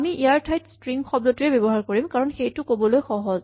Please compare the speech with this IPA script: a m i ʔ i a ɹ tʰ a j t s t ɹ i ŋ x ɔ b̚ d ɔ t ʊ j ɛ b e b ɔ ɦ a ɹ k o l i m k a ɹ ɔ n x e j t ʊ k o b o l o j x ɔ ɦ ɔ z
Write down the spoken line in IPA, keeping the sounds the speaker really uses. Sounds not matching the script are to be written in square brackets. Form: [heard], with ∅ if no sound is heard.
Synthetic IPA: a m i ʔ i a ɹ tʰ a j t s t ɹ i ŋ x ɔ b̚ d ɔ t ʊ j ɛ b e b ɔ ɦ a ɹ k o [ɹ] i m k a ɹ ɔ n x e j t ʊ k o b [ɔ] l o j x ɔ ɦ ɔ z